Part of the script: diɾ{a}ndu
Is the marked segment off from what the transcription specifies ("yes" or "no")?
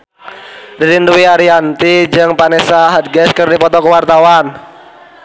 yes